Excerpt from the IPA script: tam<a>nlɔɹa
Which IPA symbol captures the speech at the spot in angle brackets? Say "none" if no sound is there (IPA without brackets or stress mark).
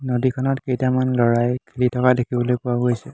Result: a